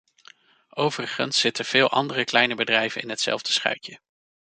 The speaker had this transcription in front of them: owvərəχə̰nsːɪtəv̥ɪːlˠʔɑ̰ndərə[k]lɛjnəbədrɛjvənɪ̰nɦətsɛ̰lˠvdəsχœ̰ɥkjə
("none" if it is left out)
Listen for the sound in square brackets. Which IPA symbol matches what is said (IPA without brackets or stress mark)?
k